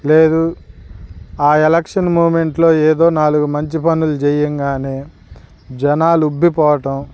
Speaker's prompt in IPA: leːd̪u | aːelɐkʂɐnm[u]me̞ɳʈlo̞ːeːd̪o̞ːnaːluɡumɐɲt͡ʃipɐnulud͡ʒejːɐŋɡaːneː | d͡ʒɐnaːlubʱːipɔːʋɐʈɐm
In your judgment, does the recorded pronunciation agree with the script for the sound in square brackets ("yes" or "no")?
no